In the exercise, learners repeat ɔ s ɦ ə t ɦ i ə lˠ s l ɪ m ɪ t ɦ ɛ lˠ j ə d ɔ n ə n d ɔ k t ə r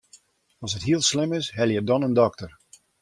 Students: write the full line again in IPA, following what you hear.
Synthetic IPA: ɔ s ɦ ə t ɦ i ə lˠ s l ɪ m ɪ s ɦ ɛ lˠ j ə d ɔ n ə n d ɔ k t ə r